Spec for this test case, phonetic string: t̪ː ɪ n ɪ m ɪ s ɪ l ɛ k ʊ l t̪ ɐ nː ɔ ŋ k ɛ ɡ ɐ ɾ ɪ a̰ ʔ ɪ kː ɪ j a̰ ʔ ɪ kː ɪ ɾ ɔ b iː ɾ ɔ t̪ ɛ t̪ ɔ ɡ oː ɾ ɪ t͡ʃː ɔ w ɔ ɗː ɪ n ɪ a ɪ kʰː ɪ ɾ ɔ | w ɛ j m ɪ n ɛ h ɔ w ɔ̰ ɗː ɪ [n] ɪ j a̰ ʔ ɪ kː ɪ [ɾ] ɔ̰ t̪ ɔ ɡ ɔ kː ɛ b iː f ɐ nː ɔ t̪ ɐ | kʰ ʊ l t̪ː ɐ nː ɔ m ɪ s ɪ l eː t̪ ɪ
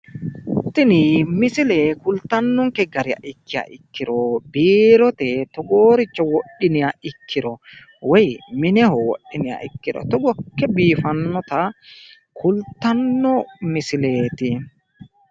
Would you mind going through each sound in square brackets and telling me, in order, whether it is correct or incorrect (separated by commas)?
correct, correct